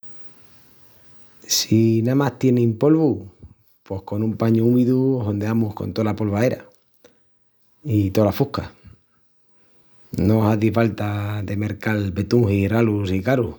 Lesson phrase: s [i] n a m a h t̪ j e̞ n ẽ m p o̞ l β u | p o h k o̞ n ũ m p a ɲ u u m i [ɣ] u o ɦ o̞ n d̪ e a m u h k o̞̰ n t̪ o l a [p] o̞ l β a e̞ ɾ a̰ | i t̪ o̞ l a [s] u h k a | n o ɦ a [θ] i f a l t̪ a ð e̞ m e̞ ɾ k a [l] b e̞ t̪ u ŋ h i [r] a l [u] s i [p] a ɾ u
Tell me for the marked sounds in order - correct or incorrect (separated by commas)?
correct, incorrect, correct, incorrect, incorrect, correct, correct, correct, incorrect